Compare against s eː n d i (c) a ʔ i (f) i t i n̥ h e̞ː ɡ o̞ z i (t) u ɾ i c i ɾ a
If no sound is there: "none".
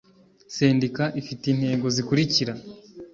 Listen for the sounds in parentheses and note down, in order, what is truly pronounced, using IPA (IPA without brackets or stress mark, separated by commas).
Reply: k, f, k